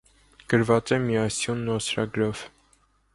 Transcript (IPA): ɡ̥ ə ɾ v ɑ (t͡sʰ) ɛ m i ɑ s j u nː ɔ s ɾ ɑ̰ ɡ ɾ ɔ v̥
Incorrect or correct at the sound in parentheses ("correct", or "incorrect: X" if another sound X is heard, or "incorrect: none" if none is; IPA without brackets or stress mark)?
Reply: incorrect: t͡s